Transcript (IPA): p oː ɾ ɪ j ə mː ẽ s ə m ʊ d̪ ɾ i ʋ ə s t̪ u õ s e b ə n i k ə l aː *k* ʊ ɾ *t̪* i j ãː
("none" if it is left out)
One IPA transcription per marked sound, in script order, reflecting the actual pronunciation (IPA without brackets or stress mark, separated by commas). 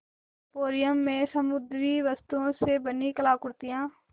k, t̪